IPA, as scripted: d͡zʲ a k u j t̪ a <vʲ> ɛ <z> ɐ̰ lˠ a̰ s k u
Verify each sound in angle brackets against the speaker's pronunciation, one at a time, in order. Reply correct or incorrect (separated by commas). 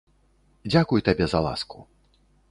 incorrect, correct